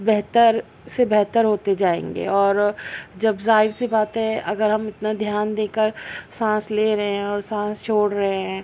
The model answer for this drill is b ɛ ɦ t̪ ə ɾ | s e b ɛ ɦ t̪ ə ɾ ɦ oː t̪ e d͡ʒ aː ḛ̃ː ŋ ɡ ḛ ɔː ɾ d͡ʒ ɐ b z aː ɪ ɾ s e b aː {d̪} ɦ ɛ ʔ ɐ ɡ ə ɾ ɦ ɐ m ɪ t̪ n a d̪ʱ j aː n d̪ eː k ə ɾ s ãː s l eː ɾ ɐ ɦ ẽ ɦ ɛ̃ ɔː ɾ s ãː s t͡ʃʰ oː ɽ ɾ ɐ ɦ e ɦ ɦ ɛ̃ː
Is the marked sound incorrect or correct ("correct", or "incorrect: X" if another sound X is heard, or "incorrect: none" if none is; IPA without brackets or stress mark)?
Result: incorrect: t̪